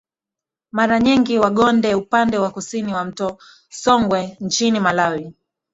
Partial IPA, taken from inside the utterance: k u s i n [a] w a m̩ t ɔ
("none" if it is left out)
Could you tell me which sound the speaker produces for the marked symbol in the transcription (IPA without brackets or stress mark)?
i